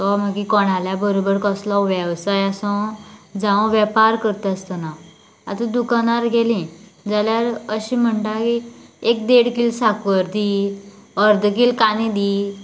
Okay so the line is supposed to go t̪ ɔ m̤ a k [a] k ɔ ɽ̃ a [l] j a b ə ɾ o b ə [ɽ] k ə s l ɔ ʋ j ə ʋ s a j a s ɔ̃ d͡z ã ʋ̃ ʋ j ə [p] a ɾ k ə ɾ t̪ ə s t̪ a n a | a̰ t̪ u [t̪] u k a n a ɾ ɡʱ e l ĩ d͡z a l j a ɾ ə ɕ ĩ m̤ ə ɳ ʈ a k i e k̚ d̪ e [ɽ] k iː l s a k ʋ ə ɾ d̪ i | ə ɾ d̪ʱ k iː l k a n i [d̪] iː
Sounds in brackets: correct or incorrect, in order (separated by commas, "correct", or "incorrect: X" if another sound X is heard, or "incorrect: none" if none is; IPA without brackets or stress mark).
incorrect: i, correct, incorrect: ɾ, correct, incorrect: d̪, correct, correct